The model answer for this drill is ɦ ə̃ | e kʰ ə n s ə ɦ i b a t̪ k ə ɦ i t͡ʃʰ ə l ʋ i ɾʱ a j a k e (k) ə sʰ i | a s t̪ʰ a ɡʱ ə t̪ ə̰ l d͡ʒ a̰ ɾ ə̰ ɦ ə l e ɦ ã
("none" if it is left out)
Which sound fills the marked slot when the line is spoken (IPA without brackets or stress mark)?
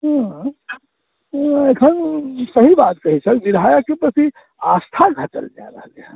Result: p